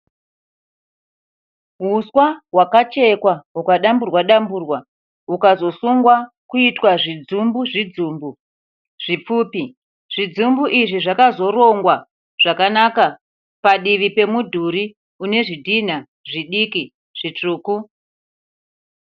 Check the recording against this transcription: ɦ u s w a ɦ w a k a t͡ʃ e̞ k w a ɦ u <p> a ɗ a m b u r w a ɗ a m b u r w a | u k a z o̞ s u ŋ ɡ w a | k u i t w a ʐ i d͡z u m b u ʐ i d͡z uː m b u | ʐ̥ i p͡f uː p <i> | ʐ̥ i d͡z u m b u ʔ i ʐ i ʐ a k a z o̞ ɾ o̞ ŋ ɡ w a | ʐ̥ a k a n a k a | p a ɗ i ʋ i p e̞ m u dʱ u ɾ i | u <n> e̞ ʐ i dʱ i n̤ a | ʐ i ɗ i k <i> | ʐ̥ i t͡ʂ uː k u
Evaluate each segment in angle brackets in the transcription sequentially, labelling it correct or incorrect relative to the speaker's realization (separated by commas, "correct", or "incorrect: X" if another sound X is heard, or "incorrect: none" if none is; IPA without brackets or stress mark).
incorrect: k, correct, correct, correct